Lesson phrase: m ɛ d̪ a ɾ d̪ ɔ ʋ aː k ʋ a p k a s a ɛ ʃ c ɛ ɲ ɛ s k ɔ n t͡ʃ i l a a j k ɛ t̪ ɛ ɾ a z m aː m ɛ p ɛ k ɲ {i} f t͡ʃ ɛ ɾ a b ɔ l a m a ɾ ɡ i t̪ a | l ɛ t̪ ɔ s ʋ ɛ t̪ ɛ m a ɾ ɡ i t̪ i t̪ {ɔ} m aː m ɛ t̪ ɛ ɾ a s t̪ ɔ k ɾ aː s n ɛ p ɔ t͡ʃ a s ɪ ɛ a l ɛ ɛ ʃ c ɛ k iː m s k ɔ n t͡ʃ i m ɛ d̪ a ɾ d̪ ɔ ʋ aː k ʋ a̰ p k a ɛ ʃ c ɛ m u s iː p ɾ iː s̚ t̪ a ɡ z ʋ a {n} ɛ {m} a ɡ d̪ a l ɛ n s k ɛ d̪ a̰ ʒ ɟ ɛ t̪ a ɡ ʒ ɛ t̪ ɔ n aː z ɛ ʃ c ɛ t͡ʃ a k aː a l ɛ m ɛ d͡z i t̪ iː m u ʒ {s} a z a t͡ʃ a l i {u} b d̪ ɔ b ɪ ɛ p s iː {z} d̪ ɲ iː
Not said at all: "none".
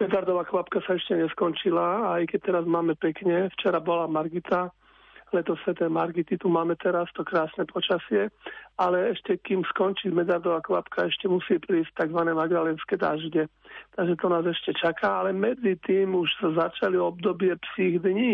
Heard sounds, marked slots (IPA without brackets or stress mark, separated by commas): ɛ, u, n, m, s, ɔ, ɣ